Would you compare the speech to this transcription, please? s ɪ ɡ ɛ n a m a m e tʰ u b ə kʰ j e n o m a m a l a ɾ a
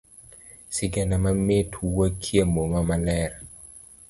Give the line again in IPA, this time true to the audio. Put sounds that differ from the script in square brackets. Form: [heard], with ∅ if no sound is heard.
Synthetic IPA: s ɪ ɡ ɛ n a m a m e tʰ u [w] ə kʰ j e [m] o m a m a l [ɛ] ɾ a